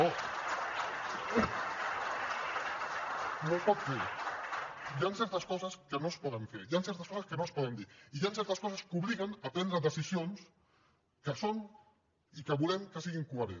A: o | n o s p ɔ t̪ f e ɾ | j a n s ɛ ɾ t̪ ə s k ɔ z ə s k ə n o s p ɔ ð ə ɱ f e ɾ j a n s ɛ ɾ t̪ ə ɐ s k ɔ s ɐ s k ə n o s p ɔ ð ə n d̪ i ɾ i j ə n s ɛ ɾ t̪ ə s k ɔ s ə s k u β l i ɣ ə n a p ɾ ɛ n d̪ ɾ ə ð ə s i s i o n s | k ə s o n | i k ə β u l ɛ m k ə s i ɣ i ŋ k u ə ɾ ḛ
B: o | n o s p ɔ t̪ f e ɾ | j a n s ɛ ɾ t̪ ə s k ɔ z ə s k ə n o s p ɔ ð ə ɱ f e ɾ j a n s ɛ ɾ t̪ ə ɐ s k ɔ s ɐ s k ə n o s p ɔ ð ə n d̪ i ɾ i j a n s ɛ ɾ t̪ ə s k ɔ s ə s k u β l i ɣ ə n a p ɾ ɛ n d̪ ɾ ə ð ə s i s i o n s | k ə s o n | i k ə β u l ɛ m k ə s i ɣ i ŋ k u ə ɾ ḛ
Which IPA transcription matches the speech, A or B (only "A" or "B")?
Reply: B